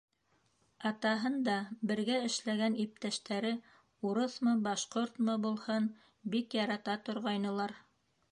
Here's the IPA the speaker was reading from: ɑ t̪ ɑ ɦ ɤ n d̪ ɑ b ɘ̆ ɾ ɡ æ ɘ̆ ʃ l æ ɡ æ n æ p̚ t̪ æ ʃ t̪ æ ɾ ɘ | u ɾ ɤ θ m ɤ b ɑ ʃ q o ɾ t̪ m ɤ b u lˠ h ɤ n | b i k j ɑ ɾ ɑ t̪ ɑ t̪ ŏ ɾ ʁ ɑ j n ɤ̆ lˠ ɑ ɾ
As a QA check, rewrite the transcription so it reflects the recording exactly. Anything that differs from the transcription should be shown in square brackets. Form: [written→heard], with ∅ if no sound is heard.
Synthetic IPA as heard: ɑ t̪ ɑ ɦ ɤ n d̪ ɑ b ɘ̆ ɾ ɡ æ ɘ̆ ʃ l æ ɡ æ n [æ→i] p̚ t̪ æ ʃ t̪ æ ɾ ɘ | u ɾ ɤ θ m ɤ b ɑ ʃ q o ɾ t̪ m ɤ b u lˠ h ɤ n | b i k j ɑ ɾ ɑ t̪ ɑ t̪ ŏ ɾ ʁ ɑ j n ɤ̆ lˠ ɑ ɾ

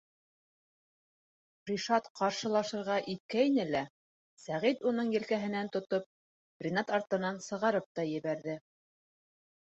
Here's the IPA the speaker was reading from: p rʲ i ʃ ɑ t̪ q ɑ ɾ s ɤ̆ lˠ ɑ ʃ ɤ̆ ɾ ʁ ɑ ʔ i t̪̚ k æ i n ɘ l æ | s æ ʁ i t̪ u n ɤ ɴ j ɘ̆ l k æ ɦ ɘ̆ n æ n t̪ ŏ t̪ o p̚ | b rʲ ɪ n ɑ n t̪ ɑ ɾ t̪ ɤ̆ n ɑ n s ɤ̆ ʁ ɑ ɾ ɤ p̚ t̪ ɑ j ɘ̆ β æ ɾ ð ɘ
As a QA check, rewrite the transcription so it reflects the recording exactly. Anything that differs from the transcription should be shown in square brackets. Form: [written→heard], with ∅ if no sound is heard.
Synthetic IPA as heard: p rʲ i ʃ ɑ t̪ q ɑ ɾ [s→ʃ] ɤ̆ lˠ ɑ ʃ ɤ̆ ɾ ʁ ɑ ʔ i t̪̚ k æ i n ɘ l æ | s æ ʁ i t̪ u n ɤ ɴ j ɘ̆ l k æ ɦ ɘ̆ n æ n t̪ ŏ t̪ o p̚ | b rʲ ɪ n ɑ [n→∅] t̪ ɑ ɾ t̪ ɤ̆ n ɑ n s ɤ̆ ʁ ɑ ɾ ɤ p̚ t̪ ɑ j ɘ̆ β æ ɾ ð ɘ

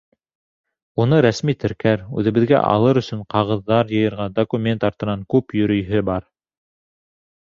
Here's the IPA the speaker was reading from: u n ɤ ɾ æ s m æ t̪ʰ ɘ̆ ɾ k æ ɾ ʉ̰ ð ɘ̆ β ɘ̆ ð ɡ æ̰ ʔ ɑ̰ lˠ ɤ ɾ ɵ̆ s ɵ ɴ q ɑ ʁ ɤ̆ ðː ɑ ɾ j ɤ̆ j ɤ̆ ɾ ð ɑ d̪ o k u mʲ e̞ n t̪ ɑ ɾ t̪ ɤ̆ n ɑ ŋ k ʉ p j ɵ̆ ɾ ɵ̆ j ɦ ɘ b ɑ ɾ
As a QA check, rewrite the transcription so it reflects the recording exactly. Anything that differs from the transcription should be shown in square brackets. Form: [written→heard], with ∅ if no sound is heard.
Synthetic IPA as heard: u n ɤ ɾ æ s m [æ→i] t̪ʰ ɘ̆ ɾ k æ ɾ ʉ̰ ð ɘ̆ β ɘ̆ ð ɡ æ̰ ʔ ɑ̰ lˠ ɤ ɾ ɵ̆ s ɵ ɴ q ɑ ʁ ɤ̆ ðː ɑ ɾ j ɤ̆ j ɤ̆ ɾ [ð→ʁ] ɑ d̪ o k u mʲ e̞ n t̪ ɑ ɾ t̪ ɤ̆ n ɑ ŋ k ʉ p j ɵ̆ ɾ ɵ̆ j ɦ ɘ b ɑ ɾ

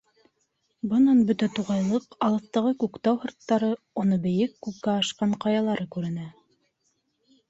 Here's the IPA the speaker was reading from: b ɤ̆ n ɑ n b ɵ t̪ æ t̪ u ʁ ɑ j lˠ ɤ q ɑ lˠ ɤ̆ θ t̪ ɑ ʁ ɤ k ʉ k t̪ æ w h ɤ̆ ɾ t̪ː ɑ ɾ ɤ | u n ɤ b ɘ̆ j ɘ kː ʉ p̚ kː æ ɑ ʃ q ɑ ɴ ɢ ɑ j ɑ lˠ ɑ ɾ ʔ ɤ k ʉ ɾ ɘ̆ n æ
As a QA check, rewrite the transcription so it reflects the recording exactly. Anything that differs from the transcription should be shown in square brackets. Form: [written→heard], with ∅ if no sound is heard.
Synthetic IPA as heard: b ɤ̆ n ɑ n b ɵ t̪ æ t̪ u ʁ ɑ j lˠ ɤ q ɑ lˠ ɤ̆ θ t̪ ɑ ʁ ɤ k ʉ k t̪ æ w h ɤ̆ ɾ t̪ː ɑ ɾ ɤ | u n ɤ b ɘ̆ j ɘ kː ʉ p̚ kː æ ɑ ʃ q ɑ ɴ [ɢ→q] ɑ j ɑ lˠ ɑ ɾ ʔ ɤ k ʉ ɾ ɘ̆ n æ

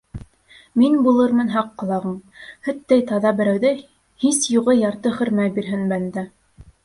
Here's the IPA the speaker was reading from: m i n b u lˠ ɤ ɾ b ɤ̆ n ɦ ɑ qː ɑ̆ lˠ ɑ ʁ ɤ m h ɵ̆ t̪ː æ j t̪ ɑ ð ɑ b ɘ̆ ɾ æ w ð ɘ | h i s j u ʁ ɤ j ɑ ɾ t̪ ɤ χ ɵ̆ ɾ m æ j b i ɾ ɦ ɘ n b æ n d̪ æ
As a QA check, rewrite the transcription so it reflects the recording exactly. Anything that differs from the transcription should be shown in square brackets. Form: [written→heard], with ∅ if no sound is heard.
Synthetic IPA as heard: m i n b u lˠ ɤ ɾ [b→m] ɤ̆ n ɦ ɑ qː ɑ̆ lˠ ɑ ʁ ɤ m h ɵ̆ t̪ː æ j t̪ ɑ ð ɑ b ɘ̆ ɾ æ w ð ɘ | h i s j u ʁ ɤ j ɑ ɾ t̪ ɤ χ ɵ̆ ɾ m æ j b i ɾ ɦ ɘ n b æ n d̪ æ

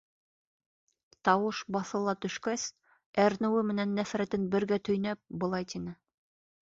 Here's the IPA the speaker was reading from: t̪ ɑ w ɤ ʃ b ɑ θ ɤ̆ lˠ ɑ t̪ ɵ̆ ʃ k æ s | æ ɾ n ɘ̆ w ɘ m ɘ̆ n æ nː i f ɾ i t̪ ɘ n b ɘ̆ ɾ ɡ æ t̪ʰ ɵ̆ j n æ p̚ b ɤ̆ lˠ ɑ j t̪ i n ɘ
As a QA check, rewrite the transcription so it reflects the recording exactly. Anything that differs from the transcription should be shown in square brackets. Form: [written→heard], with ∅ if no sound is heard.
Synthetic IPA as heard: t̪ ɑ w ɤ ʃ b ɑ θ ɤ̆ lˠ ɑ t̪ ɵ̆ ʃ k æ s | æ ɾ n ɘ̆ w ɘ m ɘ̆ n æ nː [i→æ] f ɾ [i→æ] t̪ ɘ n b ɘ̆ ɾ ɡ æ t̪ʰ ɵ̆ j n æ p̚ b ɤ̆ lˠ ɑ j t̪ i n ɘ

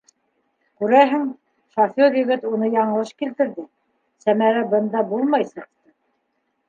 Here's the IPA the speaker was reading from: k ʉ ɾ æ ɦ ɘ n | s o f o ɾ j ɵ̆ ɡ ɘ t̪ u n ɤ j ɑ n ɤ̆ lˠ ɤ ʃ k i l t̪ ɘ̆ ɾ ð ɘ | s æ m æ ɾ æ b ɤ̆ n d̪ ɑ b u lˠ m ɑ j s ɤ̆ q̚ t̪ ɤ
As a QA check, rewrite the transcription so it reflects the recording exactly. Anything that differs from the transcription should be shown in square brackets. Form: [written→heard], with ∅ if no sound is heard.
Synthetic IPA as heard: k ʉ ɾ æ ɦ ɘ [n→ŋ] | [s→ʃ] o f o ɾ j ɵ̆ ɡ ɘ t̪ u n ɤ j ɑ [n→ɴ] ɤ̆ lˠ ɤ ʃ k i l t̪ ɘ̆ ɾ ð ɘ | s æ m æ ɾ æ b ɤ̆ n d̪ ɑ b u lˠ m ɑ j s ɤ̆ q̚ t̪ ɤ

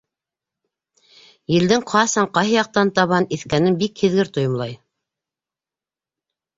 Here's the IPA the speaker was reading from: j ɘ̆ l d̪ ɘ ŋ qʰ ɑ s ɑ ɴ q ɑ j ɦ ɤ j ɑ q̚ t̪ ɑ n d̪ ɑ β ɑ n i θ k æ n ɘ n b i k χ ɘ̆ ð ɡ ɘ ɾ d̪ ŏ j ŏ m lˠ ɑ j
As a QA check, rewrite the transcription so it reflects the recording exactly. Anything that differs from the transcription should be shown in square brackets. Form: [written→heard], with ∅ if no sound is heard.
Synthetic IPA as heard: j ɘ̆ l d̪ ɘ ŋ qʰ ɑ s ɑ ɴ q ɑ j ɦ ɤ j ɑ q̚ t̪ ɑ n [d̪→t̪] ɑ β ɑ n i θ k æ n ɘ n b i k [χ→h] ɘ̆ ð ɡ ɘ ɾ [d̪→t̪] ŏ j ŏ m lˠ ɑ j

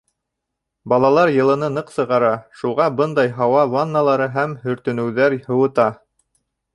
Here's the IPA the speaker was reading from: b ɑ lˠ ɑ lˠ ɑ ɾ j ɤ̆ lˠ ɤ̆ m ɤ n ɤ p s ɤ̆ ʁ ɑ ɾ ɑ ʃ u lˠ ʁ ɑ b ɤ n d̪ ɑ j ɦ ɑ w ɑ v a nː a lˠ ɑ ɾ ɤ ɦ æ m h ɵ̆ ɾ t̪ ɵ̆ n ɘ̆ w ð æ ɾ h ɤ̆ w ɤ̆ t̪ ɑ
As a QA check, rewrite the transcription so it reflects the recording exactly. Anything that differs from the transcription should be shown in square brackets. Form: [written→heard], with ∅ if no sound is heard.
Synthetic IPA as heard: b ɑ lˠ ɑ lˠ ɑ ɾ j ɤ̆ lˠ ɤ̆ [m→n] ɤ n ɤ [p→q] s ɤ̆ ʁ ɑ ɾ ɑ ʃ u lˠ ʁ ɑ b ɤ n d̪ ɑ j ɦ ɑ w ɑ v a nː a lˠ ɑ ɾ ɤ ɦ æ m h ɵ̆ ɾ t̪ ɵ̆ n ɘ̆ w ð æ ɾ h ɤ̆ w ɤ̆ t̪ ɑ

